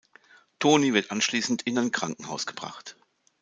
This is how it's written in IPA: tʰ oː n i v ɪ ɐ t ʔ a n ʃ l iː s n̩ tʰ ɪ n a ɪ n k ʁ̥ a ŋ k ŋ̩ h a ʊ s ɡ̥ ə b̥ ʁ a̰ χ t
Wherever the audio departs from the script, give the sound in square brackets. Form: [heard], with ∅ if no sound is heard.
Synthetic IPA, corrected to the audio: tʰ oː n i v ɪ ɐ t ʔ a n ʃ l iː s n̩ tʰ ɪ n a ɪ n k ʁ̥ a ŋ k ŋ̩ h a ʊ s ɡ̥ ə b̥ ʁ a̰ χ t